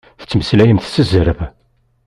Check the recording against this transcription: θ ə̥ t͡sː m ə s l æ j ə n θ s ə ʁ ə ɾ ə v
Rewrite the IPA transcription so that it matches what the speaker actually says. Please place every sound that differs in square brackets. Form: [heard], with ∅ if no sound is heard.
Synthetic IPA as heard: θ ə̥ t͡sː m ə s l æ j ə [m] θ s ə [z] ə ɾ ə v